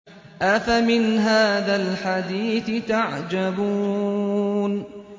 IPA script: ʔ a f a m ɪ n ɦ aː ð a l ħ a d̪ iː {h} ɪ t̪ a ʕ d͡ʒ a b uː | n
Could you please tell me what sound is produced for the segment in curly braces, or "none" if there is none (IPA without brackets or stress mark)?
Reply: θ